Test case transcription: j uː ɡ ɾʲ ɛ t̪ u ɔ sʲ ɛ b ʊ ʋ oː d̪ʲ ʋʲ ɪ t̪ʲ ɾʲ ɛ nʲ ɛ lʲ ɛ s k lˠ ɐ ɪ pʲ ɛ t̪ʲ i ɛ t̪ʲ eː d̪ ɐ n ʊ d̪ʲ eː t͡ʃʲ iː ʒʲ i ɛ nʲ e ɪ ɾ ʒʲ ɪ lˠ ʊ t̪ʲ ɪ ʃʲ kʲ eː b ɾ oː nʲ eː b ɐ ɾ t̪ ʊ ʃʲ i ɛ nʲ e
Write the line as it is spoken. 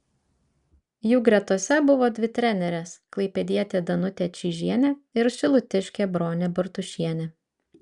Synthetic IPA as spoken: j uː ɡ ɾʲ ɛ t̪ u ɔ sʲ ɛ b ʊ ʋ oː d̪ʲ ʋʲ ɪ t̪ʲ ɾʲ ɛ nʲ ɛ ɾʲ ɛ s k lˠ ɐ ɪ pʲ ɛ d̪ʲ i ɛ t̪ʲ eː d̪ ɐ n ʊ t̪ʲ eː t͡ʃʲ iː ʒʲ i ɛ nʲ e ɪ ɾ ʃʲ ɪ lˠ ʊ t̪ʲ ɪ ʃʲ kʲ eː b ɾ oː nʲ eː b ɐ ɾ t̪ ʊ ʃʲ i ɛ nʲ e